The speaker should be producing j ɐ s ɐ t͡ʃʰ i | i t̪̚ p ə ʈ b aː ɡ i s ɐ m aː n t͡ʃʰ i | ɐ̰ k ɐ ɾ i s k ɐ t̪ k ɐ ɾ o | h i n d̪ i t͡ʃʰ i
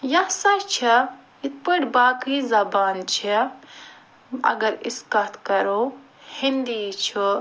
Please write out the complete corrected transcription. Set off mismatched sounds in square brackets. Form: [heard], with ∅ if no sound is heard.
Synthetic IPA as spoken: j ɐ s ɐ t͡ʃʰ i | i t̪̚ p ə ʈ b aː [k] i [z] ɐ [b] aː n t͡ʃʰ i | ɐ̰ [ɡ] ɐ ɾ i s k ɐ t̪ k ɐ ɾ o | h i n d̪ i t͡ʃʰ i